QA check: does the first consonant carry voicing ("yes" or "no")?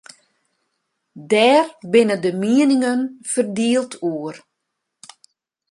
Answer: yes